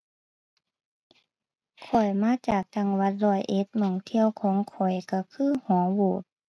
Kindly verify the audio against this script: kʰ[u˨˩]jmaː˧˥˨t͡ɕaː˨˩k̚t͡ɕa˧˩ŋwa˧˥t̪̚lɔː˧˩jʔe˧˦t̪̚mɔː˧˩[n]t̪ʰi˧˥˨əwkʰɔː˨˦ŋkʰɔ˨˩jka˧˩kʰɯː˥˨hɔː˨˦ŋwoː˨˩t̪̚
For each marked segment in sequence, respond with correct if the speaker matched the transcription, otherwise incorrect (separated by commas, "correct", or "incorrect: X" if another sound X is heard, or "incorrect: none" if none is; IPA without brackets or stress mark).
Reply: incorrect: ɔ˨˩, incorrect: ŋ